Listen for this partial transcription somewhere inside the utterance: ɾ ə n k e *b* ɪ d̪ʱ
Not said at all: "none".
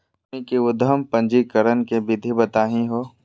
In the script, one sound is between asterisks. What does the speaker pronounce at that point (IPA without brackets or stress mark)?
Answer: b